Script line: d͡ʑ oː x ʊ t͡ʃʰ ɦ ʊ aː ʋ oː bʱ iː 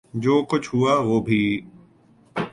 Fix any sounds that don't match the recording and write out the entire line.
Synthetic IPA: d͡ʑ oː k ʊ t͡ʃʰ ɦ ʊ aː ʋ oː bʱ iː